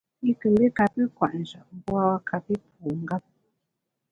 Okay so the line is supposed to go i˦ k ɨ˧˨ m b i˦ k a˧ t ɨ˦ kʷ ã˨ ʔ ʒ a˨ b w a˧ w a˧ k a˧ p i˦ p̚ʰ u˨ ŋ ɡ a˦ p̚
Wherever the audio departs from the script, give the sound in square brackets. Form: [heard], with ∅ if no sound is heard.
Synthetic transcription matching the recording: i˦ k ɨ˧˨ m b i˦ k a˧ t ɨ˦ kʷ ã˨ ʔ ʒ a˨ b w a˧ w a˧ k a˧ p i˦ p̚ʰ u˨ ŋ ɡ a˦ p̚

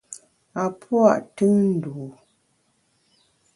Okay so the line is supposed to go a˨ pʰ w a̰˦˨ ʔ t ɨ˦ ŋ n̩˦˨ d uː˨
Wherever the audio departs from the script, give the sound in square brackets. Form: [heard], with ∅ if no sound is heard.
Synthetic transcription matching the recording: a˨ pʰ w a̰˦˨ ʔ t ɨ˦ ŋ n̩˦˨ d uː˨

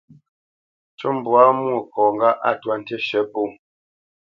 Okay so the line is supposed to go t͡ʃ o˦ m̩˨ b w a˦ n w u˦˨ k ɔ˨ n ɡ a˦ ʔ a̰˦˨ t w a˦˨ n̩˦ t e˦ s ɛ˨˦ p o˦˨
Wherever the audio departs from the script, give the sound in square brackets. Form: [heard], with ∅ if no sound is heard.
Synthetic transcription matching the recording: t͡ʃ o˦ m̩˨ b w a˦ [m] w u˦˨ k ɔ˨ [ŋ] ɡ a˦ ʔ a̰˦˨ t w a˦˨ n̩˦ t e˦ [ʃ] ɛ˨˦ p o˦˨

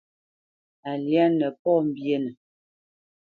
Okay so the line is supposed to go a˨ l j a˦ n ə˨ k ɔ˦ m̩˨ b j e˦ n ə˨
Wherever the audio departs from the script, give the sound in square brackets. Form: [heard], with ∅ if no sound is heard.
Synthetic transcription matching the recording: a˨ l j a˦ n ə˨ [p] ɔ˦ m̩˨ b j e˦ n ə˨

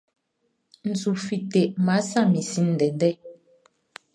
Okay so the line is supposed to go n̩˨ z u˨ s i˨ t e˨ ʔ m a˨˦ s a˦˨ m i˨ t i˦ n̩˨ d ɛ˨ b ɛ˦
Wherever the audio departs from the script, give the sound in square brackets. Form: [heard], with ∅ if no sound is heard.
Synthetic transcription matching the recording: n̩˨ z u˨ [f] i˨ t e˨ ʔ m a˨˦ s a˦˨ m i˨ [s] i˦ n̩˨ d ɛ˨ [d] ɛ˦

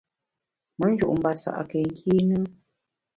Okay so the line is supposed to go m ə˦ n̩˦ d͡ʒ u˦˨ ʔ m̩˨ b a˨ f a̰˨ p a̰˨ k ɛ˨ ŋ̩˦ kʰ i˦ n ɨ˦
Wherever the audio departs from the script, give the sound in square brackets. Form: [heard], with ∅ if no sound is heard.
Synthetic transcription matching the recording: m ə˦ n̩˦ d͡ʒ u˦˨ ʔ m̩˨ b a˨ [s] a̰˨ [ʔ] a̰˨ k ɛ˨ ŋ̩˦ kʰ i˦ n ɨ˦

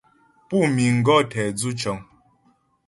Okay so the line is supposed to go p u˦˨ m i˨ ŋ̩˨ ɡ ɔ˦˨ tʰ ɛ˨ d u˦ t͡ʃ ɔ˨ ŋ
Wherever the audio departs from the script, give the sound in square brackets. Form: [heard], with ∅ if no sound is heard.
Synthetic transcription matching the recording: p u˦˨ m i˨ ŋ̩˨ ɡ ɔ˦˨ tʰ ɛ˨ [d͡z] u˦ t͡ʃ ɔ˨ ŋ

